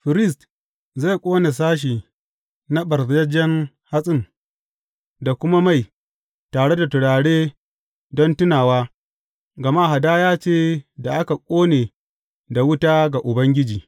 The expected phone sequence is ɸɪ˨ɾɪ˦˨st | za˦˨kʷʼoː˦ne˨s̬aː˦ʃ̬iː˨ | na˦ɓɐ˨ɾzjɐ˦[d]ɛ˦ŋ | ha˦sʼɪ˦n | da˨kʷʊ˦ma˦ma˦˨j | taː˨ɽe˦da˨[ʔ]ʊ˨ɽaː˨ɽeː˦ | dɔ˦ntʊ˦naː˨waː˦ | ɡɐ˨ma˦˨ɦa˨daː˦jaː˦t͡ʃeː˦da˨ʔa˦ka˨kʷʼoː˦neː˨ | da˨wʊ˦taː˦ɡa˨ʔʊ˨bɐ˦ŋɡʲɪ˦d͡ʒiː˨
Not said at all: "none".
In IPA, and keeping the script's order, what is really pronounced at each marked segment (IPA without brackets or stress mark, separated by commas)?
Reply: d͡ʒ, t